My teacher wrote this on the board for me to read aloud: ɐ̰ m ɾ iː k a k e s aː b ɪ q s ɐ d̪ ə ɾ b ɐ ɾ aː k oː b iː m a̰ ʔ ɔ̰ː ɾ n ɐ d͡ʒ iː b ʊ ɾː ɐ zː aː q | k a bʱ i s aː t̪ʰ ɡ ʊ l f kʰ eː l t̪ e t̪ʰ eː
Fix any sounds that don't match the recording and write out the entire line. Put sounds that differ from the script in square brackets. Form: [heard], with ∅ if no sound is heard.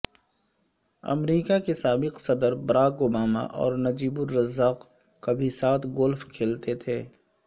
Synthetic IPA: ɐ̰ m ɾ iː k a k e s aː b ɪ q s ɐ d̪ ə ɾ b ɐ ɾ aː k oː b [aː] m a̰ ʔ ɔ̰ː ɾ n ɐ d͡ʒ iː b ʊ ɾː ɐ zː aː q | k a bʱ i s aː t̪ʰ ɡ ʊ l f kʰ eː l t̪ e t̪ʰ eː